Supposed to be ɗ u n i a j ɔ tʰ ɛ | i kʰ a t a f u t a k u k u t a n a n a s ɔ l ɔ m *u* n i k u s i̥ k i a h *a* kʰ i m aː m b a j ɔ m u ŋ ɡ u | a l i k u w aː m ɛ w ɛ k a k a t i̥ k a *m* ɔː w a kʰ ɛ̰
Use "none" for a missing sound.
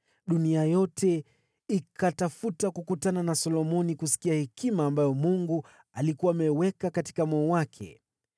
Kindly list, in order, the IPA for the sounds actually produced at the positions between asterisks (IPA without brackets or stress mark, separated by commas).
ɔ, ɛ, m